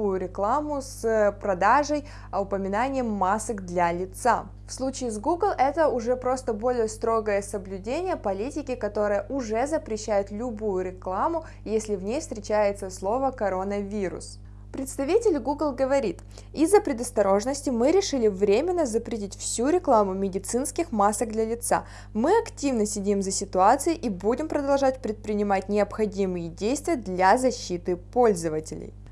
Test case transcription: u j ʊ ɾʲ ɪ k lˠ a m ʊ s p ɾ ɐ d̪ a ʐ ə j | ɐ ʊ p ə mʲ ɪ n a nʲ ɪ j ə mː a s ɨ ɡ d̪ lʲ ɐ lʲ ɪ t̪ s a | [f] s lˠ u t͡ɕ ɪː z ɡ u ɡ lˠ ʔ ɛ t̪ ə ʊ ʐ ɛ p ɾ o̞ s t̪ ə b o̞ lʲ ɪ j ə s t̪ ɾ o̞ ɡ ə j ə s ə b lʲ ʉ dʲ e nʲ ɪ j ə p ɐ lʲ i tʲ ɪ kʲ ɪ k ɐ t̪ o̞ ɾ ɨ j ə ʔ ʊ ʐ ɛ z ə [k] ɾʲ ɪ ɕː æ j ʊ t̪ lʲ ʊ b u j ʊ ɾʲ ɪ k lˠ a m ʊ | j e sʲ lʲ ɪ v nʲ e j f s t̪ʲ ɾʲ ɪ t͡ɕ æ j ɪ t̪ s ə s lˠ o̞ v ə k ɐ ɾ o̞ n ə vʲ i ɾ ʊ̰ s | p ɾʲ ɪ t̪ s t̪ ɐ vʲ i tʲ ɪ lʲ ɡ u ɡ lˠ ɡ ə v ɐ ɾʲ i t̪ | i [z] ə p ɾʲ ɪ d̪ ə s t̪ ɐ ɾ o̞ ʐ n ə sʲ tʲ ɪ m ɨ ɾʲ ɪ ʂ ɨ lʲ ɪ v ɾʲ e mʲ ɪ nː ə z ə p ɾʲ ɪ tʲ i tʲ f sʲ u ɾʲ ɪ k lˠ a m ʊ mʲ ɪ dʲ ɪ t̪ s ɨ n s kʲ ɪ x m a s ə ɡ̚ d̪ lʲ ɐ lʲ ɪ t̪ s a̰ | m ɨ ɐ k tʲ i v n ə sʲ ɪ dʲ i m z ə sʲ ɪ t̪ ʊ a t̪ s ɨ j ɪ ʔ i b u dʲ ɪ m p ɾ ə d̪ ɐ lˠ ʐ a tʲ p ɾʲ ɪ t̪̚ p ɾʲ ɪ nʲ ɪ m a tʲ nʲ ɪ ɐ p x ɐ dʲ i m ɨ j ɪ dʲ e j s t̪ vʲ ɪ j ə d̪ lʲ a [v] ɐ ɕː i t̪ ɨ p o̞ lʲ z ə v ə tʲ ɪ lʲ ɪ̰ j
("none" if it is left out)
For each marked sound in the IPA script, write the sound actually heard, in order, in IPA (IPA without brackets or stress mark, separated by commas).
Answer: f, p, zː, z